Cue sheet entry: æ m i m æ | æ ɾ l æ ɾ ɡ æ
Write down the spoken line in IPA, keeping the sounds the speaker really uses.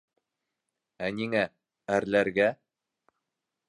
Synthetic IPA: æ n i ŋ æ | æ ɾ l æ ɾ ɡ æ